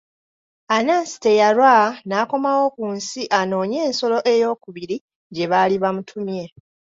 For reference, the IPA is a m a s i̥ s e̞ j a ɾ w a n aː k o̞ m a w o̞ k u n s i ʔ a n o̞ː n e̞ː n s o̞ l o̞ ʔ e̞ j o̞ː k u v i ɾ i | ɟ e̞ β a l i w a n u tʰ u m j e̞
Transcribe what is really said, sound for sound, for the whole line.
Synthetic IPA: a n a s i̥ t e̞ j a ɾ w a n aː k o̞ m a w o̞ k u n s i ʔ a n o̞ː ɲ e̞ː n s o̞ l o̞ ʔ e̞ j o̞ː k u β i ɾ i | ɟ e̞ β a l i β a m u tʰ u m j e̞

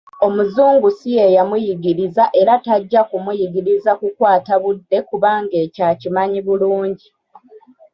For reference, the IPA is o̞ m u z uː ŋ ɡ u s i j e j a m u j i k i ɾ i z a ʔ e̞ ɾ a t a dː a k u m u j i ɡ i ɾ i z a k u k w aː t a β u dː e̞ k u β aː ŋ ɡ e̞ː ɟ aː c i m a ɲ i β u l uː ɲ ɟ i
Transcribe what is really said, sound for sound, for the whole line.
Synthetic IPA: o̞ m u z uː ŋ ɡ u s i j e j a m u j i ɡ i ɾ i z a ʔ e̞ ɾ a t a ɟː a k u m u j i ɡ i ɾ i z a k u k w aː t a β u dː e̞ k u β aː ŋ ɡ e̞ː c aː c i m a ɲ i β u l uː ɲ ɟ i

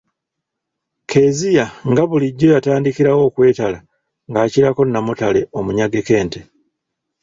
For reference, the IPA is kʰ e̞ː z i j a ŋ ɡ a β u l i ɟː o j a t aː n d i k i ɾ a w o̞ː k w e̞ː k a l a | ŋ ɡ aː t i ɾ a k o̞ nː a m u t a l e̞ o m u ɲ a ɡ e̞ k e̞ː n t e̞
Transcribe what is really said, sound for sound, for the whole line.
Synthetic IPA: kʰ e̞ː z i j a ŋ ɡ a β u l i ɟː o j a t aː n d i k i ɾ a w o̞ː k w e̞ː t a l a | ŋ ɡ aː c i ɾ a k o̞ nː a m u t a l e̞ o m u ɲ a ɡ e̞ k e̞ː n t e̞

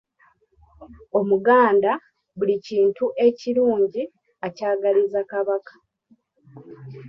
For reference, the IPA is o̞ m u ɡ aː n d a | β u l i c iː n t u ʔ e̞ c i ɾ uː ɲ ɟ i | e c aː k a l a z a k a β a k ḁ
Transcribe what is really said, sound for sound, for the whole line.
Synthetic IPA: o̞ m u ɡ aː n d a | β u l i c iː n t u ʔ e̞ c i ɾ uː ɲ ɟ i | a c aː ɡ a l i z a k a β a k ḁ

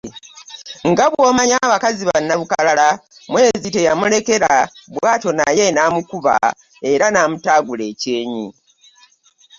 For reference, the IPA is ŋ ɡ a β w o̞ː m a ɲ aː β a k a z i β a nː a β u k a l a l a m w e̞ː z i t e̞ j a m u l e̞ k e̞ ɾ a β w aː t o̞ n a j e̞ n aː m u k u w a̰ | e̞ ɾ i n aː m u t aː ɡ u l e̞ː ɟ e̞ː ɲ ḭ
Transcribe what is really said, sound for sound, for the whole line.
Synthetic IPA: ŋ ɡ a β w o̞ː m a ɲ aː β a k a z i β a nː a β u k a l a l a m w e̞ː z i t e̞ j a m u l e̞ k e̞ ɾ a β w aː t o̞ n a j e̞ n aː m u k u β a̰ | e̞ ɾ a n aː m u t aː ɡ u l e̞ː c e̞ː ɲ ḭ

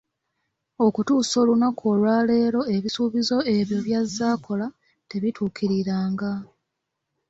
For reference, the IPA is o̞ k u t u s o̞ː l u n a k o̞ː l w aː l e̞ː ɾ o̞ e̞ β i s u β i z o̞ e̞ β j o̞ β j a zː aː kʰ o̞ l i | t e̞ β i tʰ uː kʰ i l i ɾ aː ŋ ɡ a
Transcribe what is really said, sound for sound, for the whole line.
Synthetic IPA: o̞ k u t uː s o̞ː l u n a k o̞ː l w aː l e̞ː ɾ o̞ e̞ β i s u β i z o̞ e̞ β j o̞ β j a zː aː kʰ o̞ l a | t e̞ β i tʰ uː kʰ i ɾ i ɾ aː ŋ ɡ a

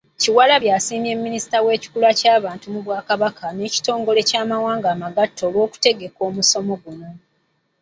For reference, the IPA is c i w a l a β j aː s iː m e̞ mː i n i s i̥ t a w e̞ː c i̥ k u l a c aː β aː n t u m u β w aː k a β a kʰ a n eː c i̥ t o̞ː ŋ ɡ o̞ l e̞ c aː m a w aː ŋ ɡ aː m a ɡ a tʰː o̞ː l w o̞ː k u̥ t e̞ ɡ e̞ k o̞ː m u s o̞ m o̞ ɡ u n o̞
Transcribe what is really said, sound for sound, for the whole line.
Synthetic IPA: c i w a l a β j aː s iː m e̞ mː i n i s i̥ t a w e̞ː c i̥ k u l a c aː β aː n t u m u β w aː k a β a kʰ a n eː c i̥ t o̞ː ŋ ɡ o̞ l e̞ c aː m a w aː ŋ ɡ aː m a ɡ a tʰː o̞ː l w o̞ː k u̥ t e̞ ɡ e̞ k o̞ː m u s o̞ m o̞ ɡ u n o̞

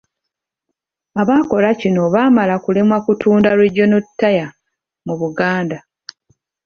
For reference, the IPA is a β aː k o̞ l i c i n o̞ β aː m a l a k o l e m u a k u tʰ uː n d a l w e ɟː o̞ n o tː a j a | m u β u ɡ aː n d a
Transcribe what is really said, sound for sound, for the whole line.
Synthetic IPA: a β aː k o̞ l a c i n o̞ β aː m a l a k u l e m w a k u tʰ uː n d a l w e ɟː o̞ n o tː a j a | m u β u ɡ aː n d a

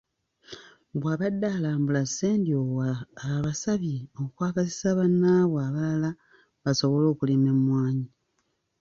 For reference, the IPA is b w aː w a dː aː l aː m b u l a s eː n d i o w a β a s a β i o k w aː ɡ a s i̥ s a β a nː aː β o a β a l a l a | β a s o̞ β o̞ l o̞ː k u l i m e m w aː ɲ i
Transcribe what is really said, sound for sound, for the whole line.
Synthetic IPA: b w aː β a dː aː l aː m b u l a s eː n d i o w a β a s a β i o k w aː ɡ a s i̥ s a β a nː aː β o a β a l a l a | β a s o̞ β o̞ l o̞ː k u l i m e m w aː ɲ i

